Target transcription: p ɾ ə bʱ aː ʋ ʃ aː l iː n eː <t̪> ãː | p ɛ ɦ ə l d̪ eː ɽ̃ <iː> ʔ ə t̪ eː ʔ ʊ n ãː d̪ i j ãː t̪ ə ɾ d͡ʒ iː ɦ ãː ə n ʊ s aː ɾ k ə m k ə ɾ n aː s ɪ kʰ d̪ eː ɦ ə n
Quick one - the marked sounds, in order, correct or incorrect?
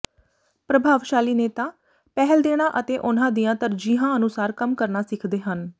correct, incorrect

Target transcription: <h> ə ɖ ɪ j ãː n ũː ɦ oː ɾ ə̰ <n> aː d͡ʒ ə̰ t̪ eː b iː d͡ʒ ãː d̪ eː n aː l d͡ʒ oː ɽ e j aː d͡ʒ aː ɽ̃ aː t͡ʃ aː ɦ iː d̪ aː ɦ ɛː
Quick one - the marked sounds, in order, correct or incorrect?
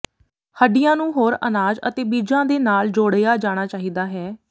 correct, correct

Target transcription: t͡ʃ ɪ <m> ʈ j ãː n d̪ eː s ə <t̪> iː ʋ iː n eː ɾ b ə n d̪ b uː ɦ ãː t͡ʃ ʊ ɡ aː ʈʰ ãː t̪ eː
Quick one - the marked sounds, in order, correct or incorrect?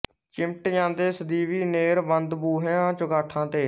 correct, incorrect

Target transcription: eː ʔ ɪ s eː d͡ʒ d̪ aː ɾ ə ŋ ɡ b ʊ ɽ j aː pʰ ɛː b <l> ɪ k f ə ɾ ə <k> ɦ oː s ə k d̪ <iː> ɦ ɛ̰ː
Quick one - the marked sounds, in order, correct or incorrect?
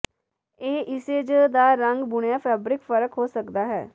incorrect, correct, incorrect

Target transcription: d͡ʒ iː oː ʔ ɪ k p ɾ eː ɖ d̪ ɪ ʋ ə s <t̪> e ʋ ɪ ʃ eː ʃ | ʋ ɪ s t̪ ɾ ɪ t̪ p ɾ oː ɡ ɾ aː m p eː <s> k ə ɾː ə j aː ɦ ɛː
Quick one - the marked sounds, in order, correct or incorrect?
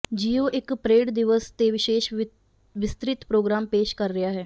correct, incorrect

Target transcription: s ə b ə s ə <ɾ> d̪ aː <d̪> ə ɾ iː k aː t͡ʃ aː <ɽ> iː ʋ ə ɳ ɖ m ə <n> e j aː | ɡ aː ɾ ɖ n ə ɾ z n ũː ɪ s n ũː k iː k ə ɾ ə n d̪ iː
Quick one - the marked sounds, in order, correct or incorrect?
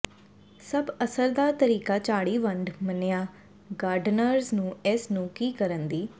correct, incorrect, correct, correct

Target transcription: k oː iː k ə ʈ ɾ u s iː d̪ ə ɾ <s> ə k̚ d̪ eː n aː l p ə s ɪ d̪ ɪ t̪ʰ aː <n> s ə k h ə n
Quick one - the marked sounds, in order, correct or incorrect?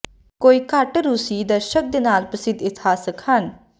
incorrect, incorrect

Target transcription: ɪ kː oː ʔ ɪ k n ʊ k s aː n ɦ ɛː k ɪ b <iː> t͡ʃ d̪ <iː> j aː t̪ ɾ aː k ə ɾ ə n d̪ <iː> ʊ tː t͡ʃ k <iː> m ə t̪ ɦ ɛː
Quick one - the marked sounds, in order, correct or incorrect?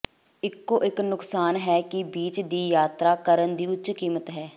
correct, correct, correct, correct

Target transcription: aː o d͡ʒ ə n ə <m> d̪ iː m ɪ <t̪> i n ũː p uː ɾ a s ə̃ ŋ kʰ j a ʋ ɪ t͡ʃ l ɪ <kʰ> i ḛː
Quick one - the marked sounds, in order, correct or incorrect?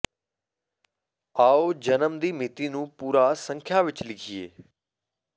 correct, correct, correct

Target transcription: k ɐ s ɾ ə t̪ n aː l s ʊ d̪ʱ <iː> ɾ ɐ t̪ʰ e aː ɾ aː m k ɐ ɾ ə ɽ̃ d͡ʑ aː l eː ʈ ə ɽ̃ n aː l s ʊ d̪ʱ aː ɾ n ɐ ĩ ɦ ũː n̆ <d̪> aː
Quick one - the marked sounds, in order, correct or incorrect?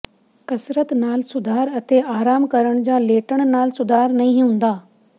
incorrect, correct

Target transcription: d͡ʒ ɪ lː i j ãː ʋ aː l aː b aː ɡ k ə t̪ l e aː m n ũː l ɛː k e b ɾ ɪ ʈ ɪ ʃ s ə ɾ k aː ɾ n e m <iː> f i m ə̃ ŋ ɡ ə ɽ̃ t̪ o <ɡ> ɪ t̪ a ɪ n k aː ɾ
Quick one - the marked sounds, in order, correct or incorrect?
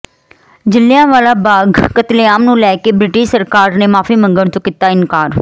incorrect, incorrect

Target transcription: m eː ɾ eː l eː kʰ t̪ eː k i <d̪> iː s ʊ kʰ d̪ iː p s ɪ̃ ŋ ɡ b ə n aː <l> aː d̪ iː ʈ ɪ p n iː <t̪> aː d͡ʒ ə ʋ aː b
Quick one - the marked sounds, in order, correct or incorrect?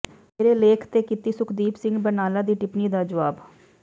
incorrect, correct, incorrect

